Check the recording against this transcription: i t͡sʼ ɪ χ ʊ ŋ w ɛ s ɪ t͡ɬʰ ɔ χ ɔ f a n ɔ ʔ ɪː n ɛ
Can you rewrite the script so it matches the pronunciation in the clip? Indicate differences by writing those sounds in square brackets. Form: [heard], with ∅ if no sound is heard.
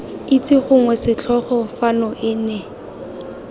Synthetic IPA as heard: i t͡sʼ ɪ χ ʊ ŋ w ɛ s ɪ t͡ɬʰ ɔ χ ɔ f a n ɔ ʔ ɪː n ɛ